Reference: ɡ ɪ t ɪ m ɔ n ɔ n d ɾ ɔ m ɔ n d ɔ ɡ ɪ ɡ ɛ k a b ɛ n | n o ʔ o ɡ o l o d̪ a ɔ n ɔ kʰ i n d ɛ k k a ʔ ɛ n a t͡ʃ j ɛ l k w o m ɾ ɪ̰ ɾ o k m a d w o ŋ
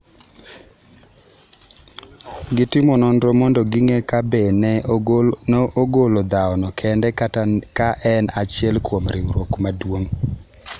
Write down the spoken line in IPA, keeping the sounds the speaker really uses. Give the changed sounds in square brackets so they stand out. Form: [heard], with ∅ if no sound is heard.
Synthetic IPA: ɡ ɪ t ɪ m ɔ n ɔ n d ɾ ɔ m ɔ n d ɔ ɡ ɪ [ŋ] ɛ k a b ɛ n | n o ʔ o ɡ o l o d̪ a ɔ n ɔ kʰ [ɛ] n d ɛ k k a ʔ ɛ n a t͡ʃ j ɛ l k w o m ɾ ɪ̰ ɾ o k m a d w o ŋ